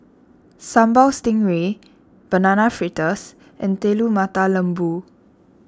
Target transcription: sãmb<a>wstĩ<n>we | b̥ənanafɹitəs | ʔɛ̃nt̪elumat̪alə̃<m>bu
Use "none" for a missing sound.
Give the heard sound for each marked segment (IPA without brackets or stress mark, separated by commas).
a, ŋ, m